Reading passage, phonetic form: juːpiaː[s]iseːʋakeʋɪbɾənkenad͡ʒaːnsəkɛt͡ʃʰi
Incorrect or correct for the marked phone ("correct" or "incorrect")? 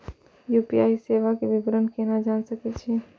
incorrect